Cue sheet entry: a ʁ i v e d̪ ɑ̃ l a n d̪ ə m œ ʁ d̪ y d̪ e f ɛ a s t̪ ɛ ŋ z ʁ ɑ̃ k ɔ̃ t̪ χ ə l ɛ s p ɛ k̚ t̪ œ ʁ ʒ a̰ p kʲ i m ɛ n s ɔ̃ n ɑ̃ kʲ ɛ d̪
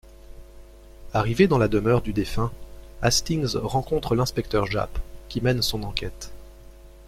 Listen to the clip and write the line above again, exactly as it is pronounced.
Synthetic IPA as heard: a ʁ i v e d̪ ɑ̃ l a d̪ ə m œ ʁ d̪ y d̪ e f ɛ̃ a s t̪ i ŋ z ʁ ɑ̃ k ɔ̃ t̪ χ ə l ɛ̃ s p ɛ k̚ t̪ œ ʁ ʒ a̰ p kʲ i m ɛ n s ɔ̃ n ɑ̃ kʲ ɛ t̪